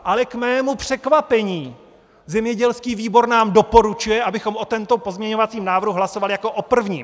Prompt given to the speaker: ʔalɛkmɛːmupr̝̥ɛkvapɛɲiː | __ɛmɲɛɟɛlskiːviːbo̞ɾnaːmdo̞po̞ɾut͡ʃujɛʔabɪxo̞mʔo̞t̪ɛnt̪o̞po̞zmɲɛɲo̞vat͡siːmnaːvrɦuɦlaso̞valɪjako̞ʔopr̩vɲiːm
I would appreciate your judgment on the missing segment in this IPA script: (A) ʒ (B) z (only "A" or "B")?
B